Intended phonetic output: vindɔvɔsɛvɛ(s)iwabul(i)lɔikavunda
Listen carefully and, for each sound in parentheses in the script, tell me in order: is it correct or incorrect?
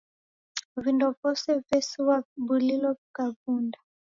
correct, correct

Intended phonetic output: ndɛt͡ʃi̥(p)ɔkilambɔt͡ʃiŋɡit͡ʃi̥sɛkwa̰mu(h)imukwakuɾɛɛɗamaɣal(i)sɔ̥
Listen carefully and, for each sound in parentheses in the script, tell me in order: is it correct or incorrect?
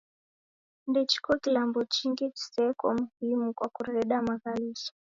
incorrect: k, correct, correct

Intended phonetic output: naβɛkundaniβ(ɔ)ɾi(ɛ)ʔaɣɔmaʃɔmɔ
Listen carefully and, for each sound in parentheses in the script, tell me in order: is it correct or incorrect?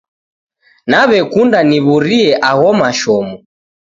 incorrect: u, correct

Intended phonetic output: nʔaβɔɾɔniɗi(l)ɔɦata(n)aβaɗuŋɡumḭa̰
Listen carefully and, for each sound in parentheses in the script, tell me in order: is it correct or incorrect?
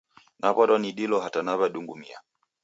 correct, correct

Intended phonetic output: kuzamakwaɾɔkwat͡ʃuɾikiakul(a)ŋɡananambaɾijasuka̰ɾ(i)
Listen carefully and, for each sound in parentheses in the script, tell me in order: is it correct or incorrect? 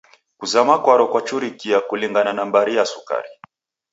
incorrect: i, correct

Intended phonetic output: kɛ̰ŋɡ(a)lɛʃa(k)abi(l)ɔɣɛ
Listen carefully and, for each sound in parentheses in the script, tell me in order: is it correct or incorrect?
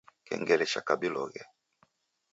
incorrect: ɛ, correct, correct

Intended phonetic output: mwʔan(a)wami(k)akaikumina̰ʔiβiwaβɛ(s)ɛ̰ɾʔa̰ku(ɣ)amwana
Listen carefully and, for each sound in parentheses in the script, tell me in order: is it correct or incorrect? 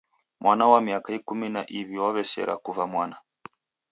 correct, incorrect: none, correct, incorrect: v

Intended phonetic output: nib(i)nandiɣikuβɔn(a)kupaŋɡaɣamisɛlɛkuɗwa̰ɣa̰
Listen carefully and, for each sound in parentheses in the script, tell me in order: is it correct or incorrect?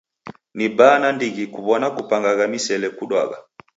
incorrect: a, correct

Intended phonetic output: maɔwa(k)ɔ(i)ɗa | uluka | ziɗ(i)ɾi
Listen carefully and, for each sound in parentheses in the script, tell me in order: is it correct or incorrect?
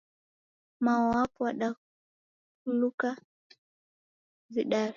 incorrect: p, incorrect: a, incorrect: a

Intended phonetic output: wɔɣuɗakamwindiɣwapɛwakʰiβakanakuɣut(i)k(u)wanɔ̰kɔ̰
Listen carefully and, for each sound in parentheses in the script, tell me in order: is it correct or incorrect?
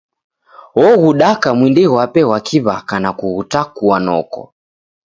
incorrect: a, correct

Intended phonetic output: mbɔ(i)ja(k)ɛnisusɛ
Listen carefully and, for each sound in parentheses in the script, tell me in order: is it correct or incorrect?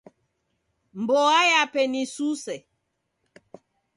incorrect: a, incorrect: p

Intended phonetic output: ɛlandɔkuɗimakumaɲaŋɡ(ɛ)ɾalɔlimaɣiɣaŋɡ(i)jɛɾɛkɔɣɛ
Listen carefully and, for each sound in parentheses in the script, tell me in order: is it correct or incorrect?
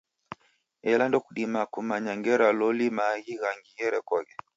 correct, correct

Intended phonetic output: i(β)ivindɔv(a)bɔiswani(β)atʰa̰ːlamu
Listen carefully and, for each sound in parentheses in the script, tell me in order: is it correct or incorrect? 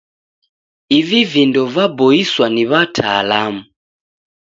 incorrect: v, correct, correct

